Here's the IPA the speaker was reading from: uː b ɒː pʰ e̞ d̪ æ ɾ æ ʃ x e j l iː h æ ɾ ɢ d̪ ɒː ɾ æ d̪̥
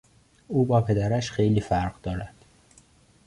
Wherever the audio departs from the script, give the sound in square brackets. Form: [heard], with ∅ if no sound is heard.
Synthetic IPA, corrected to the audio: uː b ɒː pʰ e̞ d̪ æ ɾ æ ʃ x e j l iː [f] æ ɾ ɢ d̪ ɒː ɾ æ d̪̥

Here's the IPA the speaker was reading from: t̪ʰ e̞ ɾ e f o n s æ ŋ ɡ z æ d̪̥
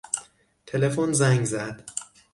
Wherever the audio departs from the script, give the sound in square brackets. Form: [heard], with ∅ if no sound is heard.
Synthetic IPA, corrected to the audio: t̪ʰ e̞ [l] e f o n [z] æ ŋ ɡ z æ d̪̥

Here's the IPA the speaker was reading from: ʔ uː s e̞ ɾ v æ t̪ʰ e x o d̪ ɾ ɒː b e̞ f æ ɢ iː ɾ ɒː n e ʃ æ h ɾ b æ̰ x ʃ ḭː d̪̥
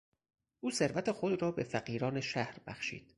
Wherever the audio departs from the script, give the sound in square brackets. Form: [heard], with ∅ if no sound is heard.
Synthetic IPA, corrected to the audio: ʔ uː s e̞ ɾ v æ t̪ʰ e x o d̪ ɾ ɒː b e̞ f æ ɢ iː ɾ ɒː n e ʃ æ h ɾ b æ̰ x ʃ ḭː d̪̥

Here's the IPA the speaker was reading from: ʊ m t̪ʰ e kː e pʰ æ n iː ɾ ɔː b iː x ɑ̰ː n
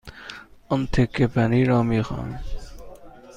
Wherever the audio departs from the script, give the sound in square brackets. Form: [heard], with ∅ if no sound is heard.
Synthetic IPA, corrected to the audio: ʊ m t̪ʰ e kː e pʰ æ n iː ɾ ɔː [m] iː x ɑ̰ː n

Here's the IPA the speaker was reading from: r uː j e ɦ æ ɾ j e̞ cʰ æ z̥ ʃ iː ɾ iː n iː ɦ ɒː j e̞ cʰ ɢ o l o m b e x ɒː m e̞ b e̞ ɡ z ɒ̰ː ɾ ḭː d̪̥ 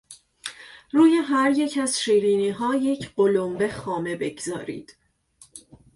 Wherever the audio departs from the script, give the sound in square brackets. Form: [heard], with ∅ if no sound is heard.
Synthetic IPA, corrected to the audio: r uː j e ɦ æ ɾ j e̞ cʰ æ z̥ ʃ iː ɾ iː n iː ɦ ɒː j e̞ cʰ ɢ o l o m b e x ɒː m e̞ b e̞ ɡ z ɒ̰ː ɾ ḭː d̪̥

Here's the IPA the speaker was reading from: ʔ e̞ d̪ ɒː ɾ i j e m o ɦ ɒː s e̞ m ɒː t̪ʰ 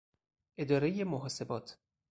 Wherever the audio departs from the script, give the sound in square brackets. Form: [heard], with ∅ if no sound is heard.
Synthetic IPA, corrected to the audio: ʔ e̞ d̪ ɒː ɾ [e] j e m o ɦ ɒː s e̞ [b] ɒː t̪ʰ

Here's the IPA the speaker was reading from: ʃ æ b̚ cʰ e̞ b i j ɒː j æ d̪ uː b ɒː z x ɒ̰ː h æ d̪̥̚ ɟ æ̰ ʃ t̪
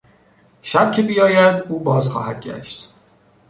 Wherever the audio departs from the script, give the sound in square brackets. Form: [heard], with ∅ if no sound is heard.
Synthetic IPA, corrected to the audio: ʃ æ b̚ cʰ e̞ b i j ɒː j æ d̪ uː b ɒː z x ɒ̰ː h æ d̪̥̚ ɟ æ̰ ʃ t̪

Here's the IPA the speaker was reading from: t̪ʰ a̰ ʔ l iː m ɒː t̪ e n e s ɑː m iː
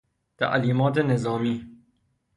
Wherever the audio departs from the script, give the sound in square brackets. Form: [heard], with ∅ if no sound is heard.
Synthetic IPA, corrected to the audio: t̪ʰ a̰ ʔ l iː m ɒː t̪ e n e [z] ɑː m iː

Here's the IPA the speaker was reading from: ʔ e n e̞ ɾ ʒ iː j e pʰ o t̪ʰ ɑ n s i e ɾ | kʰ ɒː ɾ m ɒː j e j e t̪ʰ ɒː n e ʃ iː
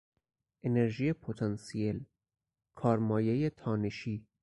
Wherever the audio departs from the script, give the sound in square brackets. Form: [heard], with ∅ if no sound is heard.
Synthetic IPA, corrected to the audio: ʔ e n e̞ ɾ ʒ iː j e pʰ o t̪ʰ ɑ n s i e [l] | kʰ ɒː ɾ m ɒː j e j e t̪ʰ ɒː n e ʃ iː

